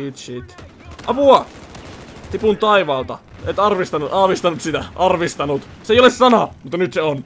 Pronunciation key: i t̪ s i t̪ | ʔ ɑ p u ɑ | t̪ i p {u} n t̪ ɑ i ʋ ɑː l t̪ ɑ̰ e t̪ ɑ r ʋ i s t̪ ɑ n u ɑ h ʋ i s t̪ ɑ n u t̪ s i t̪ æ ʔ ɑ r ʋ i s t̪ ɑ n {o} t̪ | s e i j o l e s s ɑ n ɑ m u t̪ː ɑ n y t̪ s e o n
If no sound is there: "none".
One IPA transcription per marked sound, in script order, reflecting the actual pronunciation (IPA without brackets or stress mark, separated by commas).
u, u